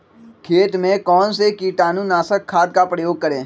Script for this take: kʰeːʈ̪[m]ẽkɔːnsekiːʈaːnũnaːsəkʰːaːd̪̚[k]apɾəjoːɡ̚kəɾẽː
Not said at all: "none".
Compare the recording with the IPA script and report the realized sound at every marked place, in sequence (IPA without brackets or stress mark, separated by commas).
m, k